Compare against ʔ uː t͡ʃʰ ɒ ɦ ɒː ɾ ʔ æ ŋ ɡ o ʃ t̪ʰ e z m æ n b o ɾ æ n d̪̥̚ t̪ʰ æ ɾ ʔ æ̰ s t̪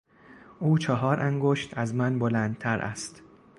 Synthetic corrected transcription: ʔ uː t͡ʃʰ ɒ ɦ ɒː ɾ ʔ æ ŋ ɡ o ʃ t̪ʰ æ z m æ n b o l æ n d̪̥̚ t̪ʰ æ ɾ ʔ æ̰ s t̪